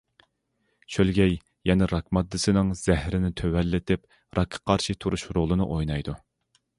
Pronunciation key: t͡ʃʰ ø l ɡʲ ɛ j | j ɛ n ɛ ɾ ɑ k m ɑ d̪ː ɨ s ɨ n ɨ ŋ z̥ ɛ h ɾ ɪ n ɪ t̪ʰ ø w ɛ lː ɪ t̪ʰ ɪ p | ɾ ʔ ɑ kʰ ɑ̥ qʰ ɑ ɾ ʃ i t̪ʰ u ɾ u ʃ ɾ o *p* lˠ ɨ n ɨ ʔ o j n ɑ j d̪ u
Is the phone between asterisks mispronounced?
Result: yes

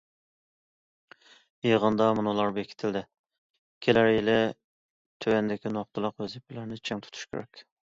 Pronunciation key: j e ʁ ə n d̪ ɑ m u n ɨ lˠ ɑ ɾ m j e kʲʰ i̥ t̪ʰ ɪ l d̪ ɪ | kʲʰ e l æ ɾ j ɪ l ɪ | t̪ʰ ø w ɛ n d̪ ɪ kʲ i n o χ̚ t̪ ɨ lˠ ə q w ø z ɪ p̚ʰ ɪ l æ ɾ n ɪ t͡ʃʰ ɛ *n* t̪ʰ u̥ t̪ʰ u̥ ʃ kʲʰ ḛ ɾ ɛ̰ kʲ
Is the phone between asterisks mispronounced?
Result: yes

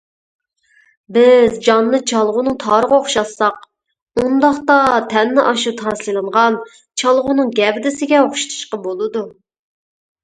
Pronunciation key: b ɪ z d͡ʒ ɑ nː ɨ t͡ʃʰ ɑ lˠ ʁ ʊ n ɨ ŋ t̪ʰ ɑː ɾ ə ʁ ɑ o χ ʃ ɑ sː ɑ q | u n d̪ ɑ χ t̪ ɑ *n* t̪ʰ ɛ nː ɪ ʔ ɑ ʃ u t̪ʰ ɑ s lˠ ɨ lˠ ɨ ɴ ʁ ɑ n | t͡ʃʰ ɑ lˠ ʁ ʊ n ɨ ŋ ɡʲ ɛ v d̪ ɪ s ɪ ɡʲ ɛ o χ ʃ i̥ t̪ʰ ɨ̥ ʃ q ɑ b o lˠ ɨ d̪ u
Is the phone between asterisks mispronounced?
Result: yes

